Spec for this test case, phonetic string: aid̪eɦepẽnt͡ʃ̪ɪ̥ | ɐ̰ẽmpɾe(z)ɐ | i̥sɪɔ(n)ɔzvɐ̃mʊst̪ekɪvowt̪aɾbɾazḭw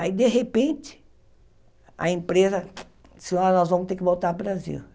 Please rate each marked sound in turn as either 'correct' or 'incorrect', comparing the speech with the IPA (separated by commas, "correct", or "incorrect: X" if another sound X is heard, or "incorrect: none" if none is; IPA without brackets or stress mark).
correct, correct